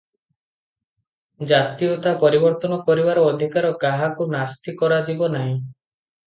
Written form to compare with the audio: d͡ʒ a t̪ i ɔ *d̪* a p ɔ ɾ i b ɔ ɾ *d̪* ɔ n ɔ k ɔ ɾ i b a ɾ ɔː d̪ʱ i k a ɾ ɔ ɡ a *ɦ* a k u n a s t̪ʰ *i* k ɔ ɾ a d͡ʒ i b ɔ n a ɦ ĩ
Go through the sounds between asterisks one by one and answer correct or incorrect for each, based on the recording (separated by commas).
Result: incorrect, incorrect, correct, correct